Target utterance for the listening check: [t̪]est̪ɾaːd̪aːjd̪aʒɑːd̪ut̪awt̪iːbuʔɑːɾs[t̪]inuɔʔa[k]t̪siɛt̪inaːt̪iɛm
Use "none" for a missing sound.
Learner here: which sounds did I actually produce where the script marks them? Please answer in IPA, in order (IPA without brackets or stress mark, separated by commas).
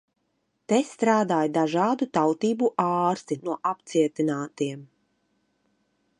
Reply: t̪, t̪, p